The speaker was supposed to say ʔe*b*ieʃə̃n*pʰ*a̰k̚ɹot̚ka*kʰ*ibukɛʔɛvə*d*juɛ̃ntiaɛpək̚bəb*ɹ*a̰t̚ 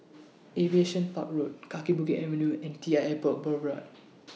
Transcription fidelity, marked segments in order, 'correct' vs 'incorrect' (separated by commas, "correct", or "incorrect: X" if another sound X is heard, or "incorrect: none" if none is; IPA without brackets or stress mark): incorrect: v, incorrect: p, incorrect: k, incorrect: n, correct